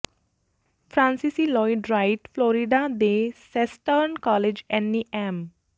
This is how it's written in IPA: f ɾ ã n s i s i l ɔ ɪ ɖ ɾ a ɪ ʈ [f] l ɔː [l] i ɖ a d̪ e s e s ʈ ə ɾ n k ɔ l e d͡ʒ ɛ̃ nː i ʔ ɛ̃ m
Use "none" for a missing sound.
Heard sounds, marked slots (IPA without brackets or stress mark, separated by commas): f, ɾ